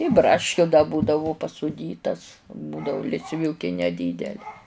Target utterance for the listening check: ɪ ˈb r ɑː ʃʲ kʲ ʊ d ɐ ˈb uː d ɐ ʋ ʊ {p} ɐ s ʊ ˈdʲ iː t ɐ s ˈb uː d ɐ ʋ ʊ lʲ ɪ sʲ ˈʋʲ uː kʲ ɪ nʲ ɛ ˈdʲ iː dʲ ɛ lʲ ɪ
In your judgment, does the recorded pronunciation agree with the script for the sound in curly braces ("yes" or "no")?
yes